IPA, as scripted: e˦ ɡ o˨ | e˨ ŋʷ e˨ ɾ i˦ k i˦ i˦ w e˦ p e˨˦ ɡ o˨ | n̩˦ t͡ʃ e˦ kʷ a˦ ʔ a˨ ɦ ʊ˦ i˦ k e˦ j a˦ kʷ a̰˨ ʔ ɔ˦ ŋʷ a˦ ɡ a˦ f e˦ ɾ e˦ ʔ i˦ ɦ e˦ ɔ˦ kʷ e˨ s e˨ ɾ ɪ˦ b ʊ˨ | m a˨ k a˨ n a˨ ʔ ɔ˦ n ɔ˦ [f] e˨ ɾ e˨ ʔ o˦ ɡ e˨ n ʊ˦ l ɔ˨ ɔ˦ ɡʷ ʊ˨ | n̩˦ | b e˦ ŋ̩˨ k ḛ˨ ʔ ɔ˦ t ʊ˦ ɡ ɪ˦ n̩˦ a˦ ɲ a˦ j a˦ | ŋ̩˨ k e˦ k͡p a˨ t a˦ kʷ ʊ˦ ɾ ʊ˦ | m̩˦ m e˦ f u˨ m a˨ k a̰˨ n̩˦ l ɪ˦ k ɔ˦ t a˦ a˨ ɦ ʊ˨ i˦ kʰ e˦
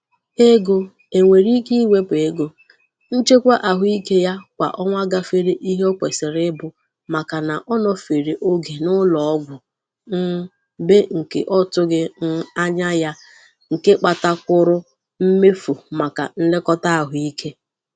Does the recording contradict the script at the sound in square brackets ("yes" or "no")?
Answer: no